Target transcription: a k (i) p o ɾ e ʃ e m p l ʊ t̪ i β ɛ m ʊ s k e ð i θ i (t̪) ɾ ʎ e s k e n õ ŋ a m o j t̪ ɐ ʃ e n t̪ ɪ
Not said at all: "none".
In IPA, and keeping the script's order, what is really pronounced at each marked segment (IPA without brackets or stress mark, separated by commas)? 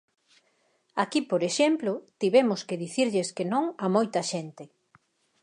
i, none